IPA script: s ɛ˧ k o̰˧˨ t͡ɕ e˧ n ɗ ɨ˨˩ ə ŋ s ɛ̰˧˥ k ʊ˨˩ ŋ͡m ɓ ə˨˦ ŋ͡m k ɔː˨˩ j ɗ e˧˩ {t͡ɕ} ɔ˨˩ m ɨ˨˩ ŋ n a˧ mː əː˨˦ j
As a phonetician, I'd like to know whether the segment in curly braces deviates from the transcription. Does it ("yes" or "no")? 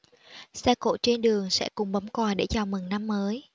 no